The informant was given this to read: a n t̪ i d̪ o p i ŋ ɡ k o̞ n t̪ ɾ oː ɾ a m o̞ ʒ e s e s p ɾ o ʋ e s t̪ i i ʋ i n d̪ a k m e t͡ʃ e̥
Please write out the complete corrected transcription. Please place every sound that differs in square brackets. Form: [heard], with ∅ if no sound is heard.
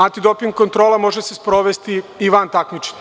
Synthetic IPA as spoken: a n t̪ i d̪ o p i ŋ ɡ k o̞ n t̪ ɾ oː [l] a m o̞ ʒ e s e s p ɾ o ʋ e s t̪ i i ʋ [a] n [t̪] a k m [i] t͡ʃ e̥